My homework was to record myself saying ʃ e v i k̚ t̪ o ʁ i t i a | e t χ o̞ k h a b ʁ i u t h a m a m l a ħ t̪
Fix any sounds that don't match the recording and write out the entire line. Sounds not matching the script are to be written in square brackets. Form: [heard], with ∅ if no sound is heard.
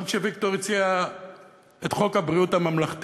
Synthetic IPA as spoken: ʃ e v i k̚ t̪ o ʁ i [t͡s] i a | e t χ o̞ k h a b ʁ i u t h a m a m l a [χ] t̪

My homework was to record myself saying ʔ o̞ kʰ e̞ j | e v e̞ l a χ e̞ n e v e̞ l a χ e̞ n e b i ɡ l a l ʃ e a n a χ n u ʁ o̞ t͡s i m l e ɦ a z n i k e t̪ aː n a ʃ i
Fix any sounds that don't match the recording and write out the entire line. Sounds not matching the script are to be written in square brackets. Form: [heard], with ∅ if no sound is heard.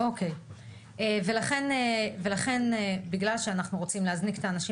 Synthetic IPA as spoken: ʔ o̞ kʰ e̞ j | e v e̞ l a χ e̞ n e v e̞ l a χ e̞ n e b i ɡ l a l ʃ e a n a χ n u ʁ o̞ t͡s i m l e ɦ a z n i k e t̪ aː n a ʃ i

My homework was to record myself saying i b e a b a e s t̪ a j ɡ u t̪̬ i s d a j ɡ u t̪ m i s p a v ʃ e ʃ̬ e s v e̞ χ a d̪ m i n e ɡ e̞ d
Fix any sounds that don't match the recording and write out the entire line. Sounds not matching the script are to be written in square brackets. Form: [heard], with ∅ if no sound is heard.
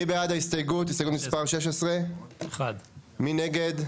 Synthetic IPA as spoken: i b e a [d] a [i] s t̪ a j ɡ u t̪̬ i s [t] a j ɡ u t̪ m i s p a [ʁ] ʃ e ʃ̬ e s [ʁ] e̞ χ a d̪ m i n e ɡ e̞ d

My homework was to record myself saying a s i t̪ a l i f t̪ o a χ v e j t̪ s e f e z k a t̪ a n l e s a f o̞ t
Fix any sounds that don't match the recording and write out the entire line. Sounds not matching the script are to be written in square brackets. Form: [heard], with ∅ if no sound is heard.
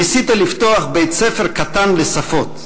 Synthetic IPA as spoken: [i] s i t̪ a l i f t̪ o a χ [b] e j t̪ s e f e [ʁ] k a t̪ a n l e s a f o̞ t

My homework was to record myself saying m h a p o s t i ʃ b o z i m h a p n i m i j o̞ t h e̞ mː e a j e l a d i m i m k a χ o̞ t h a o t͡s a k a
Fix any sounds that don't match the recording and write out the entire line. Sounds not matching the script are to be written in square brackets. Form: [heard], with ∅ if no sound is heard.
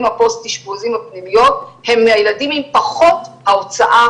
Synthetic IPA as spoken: m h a p o s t i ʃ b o z i m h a p n i m i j o̞ t h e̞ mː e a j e l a d i m i m [p] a χ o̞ t h a o t͡s a [ʔ] a

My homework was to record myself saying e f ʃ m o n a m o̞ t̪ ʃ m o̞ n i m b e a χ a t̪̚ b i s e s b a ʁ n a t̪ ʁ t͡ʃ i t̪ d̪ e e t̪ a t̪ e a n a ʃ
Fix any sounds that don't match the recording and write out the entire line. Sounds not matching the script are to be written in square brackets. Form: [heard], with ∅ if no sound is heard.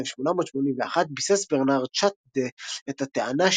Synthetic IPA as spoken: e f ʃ m o n a m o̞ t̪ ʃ m o̞ n i m [v] e a χ a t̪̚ b i s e s b [e] ʁ n a [∅] ʁ t͡ʃ [a] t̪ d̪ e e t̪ a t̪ e a n a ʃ

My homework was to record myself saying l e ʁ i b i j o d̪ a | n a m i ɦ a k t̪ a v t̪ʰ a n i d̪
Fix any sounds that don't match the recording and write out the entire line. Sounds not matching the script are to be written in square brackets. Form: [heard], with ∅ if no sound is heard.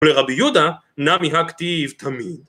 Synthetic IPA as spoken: l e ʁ [a] b i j [u] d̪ a | n a m i ɦ a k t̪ [i] v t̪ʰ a [m] i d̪

